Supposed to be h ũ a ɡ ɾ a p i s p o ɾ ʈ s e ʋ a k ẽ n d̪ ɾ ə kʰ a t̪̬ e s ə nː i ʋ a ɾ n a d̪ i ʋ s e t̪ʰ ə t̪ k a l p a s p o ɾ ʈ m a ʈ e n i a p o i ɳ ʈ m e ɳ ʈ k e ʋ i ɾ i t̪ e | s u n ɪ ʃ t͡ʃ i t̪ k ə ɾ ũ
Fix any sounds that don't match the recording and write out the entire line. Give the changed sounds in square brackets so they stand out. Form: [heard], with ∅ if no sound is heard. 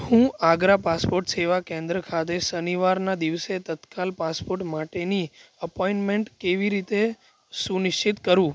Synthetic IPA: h ũ a ɡ ɾ a p [a] s p o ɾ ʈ s e ʋ a k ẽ n d̪ ɾ ə kʰ a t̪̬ e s ə [n] i ʋ a ɾ n a d̪ i ʋ s e [t̪] ə t̪ k a l p a s p o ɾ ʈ m a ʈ e n i [ə] p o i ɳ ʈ m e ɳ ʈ k e ʋ i ɾ i t̪ e | s u n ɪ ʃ t͡ʃ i t̪ k ə ɾ ũ